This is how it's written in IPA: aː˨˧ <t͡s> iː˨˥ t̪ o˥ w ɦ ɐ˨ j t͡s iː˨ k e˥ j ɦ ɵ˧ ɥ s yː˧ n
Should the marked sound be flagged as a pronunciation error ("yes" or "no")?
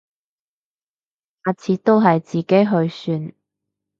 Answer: yes